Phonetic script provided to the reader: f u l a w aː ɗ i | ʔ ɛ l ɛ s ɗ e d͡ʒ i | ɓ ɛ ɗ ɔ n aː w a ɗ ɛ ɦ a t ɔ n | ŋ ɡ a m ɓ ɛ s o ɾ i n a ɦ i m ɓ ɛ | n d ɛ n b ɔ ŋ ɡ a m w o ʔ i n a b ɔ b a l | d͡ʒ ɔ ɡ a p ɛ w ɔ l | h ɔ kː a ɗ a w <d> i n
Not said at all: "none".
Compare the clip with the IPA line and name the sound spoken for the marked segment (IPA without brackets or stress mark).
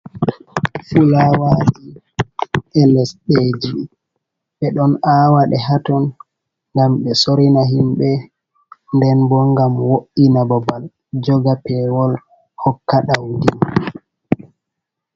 d